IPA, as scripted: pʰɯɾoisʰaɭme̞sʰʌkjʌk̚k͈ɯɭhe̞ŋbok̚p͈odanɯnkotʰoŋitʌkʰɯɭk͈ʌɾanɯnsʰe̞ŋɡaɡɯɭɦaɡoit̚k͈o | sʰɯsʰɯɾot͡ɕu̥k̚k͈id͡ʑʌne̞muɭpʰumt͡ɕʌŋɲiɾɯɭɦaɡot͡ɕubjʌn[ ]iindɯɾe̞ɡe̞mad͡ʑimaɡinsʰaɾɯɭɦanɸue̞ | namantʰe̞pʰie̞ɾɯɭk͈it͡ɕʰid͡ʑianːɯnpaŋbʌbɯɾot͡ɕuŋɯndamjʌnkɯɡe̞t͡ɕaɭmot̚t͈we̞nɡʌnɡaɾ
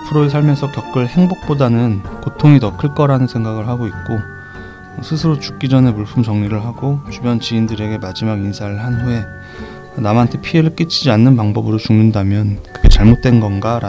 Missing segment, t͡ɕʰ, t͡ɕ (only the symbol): t͡ɕ